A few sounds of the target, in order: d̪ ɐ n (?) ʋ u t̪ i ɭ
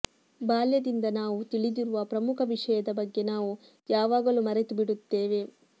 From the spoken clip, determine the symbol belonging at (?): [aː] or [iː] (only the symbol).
aː